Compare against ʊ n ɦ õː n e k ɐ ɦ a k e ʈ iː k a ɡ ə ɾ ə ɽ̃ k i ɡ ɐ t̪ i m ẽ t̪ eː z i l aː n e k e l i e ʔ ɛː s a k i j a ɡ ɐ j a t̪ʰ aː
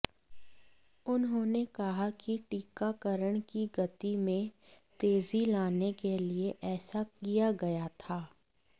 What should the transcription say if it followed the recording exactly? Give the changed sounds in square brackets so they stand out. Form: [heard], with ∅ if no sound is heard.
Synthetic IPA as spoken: ʊ n ɦ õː n e k ɐ ɦ a k [i] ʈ iː k a [k] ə ɾ ə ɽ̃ k i ɡ ɐ t̪ i m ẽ t̪ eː z i l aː n e k e l i e ʔ ɛː s a k i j a ɡ ɐ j a t̪ʰ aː